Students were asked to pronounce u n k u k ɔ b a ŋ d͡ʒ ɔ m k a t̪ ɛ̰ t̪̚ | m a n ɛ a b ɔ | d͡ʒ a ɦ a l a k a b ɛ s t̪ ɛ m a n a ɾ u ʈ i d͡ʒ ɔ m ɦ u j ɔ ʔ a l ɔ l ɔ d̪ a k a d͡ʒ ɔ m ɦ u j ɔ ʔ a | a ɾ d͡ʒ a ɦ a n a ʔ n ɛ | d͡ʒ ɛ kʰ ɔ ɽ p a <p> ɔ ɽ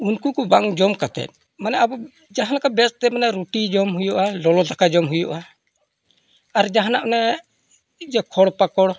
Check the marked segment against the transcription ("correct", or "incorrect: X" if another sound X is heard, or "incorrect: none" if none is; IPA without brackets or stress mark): incorrect: k